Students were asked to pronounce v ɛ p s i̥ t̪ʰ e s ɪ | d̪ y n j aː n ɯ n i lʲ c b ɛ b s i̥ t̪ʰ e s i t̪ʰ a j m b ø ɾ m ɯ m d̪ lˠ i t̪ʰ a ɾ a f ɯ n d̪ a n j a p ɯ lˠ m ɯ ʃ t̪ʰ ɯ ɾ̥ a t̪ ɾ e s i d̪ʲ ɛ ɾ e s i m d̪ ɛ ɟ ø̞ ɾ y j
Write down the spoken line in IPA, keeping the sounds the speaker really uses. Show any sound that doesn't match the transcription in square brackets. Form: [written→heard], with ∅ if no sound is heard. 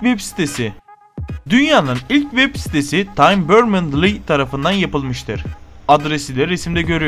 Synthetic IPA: v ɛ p s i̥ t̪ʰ e s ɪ | d̪ y n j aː n ɯ n i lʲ c [b→v] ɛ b s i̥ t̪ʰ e s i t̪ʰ a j m b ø ɾ m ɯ [m→n] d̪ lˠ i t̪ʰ a ɾ a f ɯ n d̪ a n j a p ɯ lˠ m ɯ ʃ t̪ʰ ɯ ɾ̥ a [t̪→d̪] ɾ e s i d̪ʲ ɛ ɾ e s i m d̪ ɛ ɟ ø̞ ɾ y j